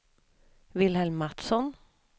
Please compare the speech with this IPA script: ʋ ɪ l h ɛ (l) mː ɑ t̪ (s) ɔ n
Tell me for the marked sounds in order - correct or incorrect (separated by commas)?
correct, correct